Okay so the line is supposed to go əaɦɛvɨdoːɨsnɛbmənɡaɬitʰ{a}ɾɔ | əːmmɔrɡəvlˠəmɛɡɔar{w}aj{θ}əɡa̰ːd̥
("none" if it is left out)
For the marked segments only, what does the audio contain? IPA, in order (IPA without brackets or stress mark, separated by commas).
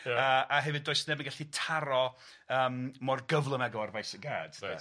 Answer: a, v, s